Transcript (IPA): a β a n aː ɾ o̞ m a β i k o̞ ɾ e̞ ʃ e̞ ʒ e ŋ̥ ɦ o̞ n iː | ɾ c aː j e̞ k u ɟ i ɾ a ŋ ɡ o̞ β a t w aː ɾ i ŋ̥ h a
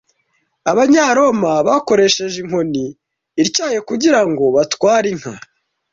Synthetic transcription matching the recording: a β a ɲ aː ɾ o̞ m a β a k o̞ ɾ e̞ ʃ e̞ ʒ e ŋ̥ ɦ o̞ n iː | ɾ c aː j e̞ k u ɟ i ɾ a ŋ ɡ o̞ β a t w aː ɾ i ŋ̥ h a